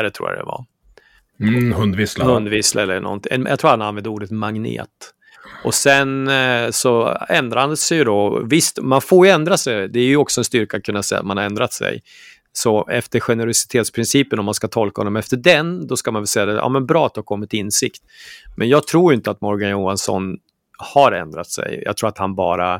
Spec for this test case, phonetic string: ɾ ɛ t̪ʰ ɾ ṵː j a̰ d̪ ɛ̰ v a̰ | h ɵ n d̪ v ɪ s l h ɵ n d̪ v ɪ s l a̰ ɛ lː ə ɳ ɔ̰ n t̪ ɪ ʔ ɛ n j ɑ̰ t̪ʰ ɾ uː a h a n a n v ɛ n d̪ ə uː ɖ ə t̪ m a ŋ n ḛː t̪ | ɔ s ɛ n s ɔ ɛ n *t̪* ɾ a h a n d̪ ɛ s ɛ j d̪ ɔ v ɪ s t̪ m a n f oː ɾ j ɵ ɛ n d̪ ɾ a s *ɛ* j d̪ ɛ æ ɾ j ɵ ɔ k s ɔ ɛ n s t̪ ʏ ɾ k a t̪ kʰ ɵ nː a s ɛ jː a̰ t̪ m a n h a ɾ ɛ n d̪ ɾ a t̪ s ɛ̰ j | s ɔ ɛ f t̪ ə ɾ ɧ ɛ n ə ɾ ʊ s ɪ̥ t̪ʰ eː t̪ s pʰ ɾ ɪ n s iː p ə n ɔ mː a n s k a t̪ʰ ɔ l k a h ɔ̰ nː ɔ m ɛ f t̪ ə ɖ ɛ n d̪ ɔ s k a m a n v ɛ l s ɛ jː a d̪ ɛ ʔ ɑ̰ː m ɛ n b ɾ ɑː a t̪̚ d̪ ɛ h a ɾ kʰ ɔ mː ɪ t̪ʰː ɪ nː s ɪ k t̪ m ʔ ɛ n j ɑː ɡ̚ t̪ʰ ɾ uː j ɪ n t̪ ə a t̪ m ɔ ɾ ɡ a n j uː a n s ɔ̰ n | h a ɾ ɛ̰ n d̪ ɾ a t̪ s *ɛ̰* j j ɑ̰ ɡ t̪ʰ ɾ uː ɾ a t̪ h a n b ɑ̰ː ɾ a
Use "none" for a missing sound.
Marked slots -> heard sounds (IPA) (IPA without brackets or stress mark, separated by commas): d̪, ɛ, ɛ̰